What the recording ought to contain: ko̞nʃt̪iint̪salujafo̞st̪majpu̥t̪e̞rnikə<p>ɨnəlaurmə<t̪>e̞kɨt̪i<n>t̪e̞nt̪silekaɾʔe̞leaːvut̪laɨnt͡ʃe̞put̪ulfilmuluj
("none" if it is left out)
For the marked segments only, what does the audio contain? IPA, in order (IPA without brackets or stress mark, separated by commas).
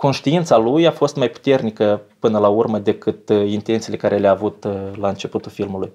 p, d̪, n